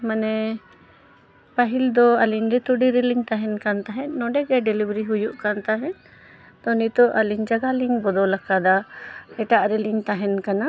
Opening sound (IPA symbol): m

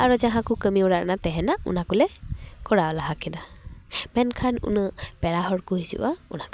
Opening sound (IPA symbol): a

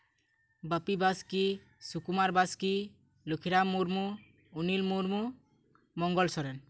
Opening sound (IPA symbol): b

